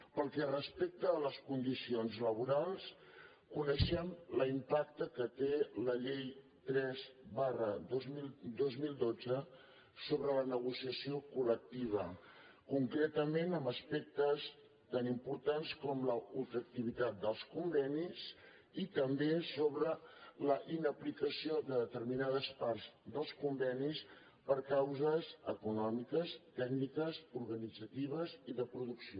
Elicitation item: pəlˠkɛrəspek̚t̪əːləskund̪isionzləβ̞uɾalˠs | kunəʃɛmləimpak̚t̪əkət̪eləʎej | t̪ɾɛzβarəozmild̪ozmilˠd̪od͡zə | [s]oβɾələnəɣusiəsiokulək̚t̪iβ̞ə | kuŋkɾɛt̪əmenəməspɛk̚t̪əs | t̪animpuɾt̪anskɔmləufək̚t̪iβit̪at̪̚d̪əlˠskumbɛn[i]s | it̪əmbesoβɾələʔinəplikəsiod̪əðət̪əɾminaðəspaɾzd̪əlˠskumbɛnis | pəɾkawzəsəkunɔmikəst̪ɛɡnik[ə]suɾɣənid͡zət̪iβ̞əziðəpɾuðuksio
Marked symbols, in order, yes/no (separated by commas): yes, yes, yes